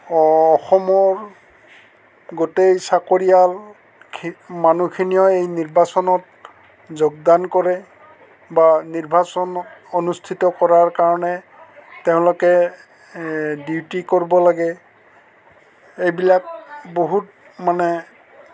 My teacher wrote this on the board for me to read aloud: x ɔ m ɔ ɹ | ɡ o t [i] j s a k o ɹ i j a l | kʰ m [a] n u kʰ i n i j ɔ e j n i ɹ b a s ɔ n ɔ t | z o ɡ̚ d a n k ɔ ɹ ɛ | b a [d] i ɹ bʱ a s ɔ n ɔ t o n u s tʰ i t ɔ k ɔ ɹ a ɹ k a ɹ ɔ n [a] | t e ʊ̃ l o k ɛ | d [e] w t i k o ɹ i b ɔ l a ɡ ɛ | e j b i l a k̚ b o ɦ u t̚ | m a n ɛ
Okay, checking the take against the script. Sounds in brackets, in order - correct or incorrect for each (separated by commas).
incorrect, correct, incorrect, incorrect, incorrect